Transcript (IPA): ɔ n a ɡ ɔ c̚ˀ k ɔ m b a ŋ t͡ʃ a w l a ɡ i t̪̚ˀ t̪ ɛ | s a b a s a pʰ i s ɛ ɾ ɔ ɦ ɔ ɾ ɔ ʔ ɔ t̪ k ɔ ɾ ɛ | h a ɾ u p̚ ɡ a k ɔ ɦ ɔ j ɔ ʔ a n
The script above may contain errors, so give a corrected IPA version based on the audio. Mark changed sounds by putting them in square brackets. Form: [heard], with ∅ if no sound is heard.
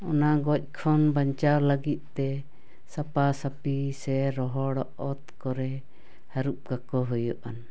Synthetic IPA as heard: ɔ n a ɡ ɔ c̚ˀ [kʰ] ɔ [n] b a [ɲ] t͡ʃ a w l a ɡ i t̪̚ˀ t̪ ɛ | s a [p] a s a [p] i s ɛ ɾ ɔ ɦ ɔ [ɽ] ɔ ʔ ɔ t̪ k ɔ ɾ ɛ | h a ɾ u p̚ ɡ a k ɔ ɦ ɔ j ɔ ʔ a n